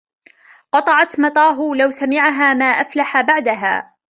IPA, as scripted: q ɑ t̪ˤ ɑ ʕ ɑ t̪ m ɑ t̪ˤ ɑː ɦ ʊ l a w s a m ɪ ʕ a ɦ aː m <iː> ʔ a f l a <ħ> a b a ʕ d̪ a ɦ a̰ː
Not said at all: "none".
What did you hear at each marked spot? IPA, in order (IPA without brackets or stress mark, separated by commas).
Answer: aː, ħ